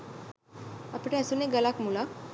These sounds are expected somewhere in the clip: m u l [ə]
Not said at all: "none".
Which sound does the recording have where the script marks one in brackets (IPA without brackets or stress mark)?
a